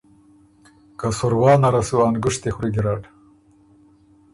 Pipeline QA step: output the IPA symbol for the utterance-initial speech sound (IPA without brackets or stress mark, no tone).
k